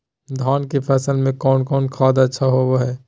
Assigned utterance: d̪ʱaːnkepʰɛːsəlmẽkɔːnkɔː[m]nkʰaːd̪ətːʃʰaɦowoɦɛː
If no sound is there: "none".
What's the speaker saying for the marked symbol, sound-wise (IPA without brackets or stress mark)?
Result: none